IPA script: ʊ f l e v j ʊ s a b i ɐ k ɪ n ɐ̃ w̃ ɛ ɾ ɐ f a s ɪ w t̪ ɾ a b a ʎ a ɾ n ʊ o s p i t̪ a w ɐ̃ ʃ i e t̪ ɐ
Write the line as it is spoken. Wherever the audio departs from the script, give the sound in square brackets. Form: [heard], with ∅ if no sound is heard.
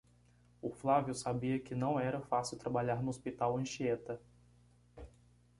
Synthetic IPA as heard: ʊ f l [a] v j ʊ s a b i ɐ k ɪ n ɐ̃ w̃ ɛ ɾ ɐ f a s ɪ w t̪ ɾ a b a ʎ a ɾ n ʊ o s p i t̪ a w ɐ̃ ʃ i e t̪ ɐ